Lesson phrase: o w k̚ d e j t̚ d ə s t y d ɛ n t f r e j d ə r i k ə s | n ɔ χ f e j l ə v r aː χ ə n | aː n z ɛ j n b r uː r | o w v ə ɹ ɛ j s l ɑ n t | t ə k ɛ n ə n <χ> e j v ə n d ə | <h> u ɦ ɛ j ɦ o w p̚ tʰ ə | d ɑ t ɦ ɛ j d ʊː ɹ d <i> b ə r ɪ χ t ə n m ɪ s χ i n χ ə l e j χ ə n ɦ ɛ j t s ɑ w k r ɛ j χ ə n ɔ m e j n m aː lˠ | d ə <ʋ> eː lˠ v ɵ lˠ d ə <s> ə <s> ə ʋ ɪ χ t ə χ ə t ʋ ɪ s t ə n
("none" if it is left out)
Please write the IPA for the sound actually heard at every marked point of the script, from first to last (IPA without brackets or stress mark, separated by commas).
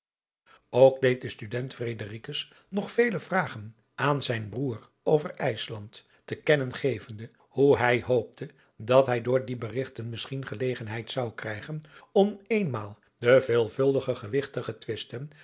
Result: χ, h, i, v, χ, χ